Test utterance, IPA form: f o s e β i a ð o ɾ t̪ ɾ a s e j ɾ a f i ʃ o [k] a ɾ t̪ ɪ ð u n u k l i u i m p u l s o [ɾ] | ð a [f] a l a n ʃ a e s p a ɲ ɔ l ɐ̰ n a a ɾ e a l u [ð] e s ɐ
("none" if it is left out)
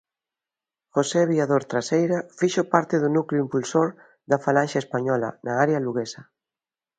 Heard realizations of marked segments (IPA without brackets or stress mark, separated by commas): p, ɾ, f, ɣ